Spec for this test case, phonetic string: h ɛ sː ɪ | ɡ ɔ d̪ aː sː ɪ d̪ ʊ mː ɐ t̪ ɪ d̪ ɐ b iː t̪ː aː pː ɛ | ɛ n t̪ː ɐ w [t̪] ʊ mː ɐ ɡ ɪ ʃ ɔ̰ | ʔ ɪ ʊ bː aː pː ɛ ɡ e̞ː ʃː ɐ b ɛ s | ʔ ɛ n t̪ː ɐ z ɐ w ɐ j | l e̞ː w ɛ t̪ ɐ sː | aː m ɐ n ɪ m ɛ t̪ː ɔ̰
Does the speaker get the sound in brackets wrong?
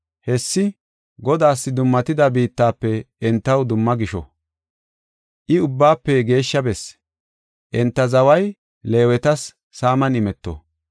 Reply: yes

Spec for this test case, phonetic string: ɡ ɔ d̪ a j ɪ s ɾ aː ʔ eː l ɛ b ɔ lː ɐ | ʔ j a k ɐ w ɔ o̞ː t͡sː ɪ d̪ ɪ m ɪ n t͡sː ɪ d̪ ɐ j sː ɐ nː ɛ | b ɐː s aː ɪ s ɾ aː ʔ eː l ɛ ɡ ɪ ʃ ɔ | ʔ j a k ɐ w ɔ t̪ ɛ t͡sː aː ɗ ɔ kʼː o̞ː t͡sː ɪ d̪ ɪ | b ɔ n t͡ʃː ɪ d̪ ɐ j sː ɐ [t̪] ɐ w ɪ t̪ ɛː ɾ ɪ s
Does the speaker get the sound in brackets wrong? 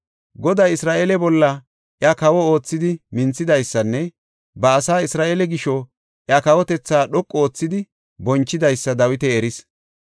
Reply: yes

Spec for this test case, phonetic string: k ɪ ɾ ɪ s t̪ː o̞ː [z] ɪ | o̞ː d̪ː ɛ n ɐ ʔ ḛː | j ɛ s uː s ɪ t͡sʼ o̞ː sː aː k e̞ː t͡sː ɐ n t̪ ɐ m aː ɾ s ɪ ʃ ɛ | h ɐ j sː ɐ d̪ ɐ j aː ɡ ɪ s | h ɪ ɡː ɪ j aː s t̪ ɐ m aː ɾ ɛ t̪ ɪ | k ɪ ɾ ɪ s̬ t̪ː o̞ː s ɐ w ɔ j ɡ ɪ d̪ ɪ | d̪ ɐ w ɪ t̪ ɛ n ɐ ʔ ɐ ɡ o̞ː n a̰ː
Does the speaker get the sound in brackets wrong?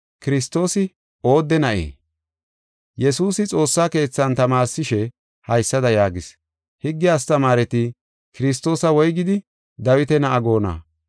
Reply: yes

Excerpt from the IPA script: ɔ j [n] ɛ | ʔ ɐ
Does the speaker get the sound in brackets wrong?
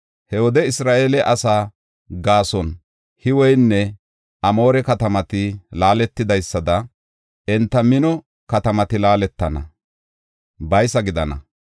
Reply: yes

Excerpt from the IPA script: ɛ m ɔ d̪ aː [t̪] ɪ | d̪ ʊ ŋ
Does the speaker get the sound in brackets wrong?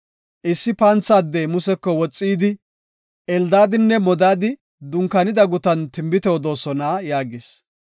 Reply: yes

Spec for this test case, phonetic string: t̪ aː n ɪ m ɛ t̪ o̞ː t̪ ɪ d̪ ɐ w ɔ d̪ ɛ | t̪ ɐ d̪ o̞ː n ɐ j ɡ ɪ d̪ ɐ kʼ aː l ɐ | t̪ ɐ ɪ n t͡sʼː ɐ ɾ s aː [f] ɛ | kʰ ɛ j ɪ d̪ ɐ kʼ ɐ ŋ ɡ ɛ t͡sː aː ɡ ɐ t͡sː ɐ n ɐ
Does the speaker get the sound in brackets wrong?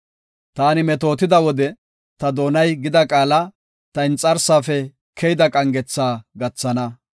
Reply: no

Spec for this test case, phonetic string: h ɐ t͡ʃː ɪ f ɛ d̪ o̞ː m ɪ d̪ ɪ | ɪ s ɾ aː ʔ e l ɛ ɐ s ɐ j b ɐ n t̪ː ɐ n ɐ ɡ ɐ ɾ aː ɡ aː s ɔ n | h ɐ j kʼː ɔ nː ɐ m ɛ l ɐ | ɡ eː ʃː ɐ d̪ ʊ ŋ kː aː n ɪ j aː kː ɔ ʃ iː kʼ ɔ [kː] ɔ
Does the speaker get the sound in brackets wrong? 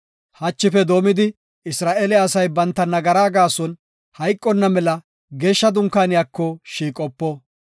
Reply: yes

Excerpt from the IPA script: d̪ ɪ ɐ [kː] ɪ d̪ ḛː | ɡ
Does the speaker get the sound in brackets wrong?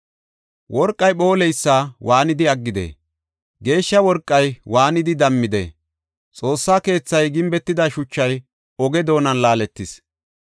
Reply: yes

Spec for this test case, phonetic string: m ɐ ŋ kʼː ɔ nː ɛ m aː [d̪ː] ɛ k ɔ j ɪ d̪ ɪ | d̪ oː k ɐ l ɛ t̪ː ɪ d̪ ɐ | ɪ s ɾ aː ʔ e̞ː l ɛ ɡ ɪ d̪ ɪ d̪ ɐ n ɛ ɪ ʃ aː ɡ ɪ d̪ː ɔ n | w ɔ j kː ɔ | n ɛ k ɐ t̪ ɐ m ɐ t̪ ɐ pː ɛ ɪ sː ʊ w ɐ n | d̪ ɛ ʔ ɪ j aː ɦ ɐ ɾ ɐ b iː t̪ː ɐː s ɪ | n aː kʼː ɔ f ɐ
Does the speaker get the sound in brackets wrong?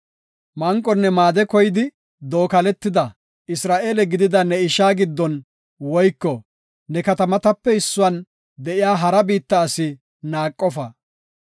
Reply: yes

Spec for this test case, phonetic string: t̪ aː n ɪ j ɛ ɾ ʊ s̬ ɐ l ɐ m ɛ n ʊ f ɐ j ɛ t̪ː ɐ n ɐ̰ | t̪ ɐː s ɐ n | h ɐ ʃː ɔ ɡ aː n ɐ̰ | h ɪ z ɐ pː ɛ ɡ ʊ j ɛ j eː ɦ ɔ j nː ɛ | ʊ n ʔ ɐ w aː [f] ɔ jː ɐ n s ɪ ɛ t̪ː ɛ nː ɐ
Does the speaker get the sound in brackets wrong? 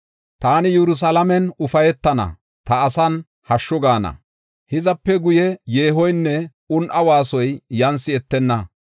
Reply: yes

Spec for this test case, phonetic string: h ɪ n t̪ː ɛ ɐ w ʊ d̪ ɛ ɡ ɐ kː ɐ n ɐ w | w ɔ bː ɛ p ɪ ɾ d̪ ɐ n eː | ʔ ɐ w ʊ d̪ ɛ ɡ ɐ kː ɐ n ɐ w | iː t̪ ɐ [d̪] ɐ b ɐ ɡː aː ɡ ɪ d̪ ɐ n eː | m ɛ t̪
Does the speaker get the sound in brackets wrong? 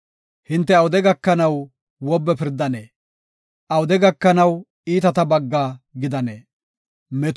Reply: yes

